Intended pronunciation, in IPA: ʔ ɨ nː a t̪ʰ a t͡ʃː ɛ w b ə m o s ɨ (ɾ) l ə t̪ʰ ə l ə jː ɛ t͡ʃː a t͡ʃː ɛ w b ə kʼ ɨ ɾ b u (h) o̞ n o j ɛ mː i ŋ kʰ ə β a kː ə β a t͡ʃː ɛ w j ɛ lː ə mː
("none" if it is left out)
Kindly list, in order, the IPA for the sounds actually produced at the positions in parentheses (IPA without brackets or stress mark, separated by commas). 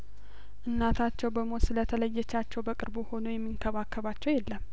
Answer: none, h